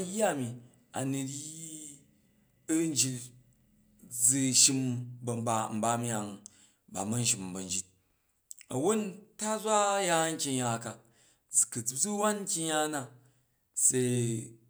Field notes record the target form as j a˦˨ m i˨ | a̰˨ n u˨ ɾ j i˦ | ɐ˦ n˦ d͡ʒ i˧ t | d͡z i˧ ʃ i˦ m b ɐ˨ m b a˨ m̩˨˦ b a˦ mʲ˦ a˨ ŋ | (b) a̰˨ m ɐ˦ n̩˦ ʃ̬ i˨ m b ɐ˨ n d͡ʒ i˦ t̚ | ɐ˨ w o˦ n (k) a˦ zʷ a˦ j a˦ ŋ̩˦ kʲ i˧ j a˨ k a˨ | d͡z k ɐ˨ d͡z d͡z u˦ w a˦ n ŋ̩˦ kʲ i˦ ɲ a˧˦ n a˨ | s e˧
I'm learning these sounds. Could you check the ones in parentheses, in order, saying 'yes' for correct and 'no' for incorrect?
yes, no

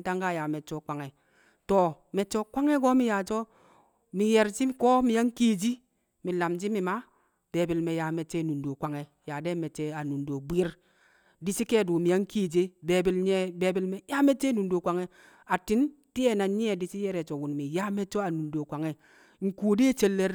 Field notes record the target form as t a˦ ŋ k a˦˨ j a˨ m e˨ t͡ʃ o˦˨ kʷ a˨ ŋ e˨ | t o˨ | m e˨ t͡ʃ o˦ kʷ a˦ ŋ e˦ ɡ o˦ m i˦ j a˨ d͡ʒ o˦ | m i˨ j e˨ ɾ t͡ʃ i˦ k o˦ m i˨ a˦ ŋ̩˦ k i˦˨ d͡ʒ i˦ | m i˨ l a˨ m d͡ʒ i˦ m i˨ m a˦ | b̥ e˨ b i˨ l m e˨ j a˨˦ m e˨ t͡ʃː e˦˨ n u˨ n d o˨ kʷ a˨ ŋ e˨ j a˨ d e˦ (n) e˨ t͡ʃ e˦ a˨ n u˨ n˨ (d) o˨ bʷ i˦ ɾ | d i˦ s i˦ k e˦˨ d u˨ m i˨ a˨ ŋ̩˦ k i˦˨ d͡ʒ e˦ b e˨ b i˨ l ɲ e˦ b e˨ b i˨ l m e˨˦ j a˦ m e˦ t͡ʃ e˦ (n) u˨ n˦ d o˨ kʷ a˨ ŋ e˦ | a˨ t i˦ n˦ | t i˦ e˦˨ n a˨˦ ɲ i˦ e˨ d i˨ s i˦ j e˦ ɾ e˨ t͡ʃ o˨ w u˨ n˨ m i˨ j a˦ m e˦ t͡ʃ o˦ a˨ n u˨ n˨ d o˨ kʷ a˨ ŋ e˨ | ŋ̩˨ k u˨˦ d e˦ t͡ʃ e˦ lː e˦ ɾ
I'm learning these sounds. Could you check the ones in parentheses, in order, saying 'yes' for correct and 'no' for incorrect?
no, yes, yes

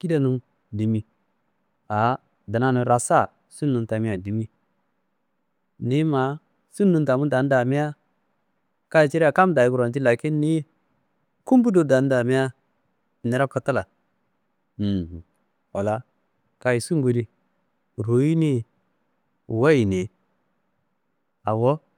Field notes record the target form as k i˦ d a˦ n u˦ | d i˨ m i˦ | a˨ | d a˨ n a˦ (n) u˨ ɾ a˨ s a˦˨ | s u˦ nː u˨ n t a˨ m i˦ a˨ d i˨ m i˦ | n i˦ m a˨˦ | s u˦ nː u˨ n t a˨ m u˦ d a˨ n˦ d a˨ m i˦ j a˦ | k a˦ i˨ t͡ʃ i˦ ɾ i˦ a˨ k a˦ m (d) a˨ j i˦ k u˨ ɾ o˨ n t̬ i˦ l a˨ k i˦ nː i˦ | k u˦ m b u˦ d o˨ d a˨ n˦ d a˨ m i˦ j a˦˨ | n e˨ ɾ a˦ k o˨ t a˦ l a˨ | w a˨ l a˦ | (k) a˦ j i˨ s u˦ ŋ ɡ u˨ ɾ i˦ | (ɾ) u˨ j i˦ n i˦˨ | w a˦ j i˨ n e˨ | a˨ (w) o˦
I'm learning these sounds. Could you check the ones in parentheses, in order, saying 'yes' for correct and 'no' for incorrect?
yes, yes, yes, yes, yes

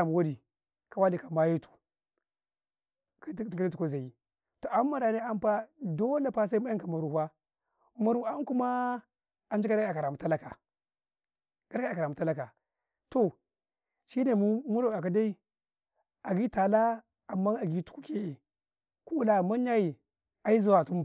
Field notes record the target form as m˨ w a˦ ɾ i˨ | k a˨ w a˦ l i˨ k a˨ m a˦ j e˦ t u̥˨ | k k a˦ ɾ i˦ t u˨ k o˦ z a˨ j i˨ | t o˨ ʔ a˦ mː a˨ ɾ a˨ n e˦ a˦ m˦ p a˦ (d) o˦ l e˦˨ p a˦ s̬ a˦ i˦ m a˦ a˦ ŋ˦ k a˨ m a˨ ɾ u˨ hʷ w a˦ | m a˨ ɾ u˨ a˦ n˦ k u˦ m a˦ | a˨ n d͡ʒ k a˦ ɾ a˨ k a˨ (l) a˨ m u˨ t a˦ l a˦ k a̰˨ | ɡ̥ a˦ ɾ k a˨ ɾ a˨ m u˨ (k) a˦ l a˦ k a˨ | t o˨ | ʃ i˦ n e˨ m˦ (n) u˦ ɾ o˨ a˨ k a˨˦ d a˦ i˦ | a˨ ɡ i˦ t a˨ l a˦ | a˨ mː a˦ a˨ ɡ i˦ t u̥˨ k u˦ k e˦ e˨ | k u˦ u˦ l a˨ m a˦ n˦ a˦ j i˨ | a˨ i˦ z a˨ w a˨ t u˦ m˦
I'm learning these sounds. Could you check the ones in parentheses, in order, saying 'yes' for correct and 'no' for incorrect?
yes, no, no, no

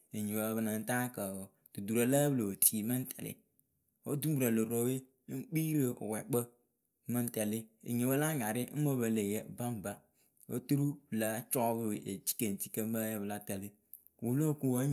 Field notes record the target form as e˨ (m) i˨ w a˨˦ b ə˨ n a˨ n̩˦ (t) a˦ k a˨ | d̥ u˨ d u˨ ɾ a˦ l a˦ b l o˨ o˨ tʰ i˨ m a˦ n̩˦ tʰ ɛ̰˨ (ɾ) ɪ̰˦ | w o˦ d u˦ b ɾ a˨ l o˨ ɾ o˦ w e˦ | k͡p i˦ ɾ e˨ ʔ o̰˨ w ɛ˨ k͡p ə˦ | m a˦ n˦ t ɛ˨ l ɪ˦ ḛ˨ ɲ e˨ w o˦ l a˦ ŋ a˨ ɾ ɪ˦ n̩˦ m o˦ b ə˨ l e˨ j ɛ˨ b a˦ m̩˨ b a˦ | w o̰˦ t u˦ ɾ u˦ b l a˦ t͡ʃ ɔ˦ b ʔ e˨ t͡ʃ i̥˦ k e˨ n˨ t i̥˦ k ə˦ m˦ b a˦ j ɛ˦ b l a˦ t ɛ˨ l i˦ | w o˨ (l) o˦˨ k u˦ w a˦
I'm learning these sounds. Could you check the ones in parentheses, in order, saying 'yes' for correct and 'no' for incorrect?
no, yes, no, yes

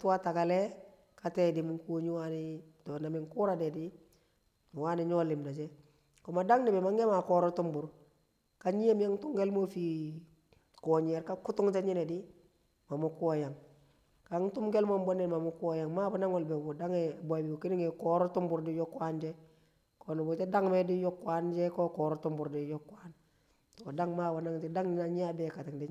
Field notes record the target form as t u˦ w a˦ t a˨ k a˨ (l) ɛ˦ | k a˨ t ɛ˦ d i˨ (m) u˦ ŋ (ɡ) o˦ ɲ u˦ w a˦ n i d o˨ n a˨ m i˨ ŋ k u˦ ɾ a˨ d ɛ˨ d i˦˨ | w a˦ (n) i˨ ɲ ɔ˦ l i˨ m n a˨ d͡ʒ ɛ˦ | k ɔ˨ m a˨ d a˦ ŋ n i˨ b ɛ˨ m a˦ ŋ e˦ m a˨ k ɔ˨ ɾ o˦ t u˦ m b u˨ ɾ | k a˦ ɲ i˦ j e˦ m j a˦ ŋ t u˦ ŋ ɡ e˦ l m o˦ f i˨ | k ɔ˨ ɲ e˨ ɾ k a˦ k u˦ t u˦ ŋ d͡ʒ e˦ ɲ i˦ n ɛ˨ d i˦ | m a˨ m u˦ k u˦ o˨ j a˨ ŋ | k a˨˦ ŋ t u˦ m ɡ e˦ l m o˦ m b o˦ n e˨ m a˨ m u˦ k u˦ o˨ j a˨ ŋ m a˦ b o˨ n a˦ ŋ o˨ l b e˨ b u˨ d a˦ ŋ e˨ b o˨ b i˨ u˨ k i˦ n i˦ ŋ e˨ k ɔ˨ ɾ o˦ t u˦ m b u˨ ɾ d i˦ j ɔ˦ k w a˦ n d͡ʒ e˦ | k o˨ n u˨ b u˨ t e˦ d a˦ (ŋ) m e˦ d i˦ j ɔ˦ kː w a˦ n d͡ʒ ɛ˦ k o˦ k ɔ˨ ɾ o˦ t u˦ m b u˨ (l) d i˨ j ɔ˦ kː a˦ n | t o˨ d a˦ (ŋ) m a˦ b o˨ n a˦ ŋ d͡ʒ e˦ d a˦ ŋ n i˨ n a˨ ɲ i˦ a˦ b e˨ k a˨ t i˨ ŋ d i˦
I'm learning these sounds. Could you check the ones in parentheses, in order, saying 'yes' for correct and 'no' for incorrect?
yes, yes, no, yes, yes, no, yes

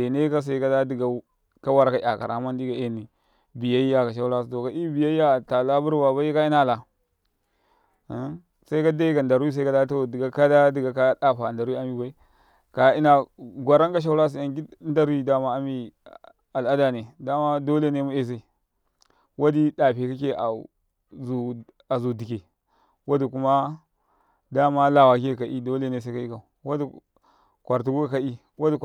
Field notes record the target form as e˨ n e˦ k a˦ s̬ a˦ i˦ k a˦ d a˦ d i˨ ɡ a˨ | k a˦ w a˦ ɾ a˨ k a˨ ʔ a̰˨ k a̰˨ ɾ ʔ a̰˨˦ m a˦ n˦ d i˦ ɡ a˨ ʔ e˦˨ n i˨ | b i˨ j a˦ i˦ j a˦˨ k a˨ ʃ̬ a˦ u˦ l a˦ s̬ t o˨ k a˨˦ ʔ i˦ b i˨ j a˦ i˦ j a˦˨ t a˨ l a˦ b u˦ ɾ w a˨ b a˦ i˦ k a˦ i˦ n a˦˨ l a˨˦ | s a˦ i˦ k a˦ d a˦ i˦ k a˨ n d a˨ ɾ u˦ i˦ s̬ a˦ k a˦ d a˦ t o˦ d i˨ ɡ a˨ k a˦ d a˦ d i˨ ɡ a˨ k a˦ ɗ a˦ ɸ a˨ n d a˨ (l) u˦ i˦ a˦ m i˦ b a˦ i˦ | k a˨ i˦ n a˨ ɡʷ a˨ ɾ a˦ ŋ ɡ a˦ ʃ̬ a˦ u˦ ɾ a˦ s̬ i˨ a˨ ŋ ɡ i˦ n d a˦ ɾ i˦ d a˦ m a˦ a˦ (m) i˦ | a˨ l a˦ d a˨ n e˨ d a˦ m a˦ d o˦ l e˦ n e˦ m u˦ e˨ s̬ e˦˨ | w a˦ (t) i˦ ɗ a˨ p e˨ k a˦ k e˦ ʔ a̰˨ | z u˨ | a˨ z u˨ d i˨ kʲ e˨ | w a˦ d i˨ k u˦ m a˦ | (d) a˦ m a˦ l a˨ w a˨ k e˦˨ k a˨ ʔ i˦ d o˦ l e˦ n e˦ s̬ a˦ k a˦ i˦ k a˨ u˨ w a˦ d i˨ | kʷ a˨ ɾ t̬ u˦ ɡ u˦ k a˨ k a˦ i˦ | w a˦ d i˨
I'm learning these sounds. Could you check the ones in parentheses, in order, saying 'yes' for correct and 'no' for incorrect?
no, yes, no, yes

